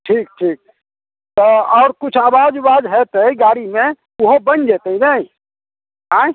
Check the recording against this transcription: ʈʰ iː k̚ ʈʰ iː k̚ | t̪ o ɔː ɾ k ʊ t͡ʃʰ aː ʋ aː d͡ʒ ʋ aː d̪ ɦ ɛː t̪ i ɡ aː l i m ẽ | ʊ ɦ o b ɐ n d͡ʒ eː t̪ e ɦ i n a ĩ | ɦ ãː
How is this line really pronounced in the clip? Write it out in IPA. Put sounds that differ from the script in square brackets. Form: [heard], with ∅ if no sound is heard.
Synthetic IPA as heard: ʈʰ iː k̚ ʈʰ iː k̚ | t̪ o ɔː ɾ k ʊ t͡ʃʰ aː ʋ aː d͡ʒ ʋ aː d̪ ɦ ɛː t̪ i ɡ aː [ɽ] i m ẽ | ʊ ɦ o b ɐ n d͡ʒ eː t̪ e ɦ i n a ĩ | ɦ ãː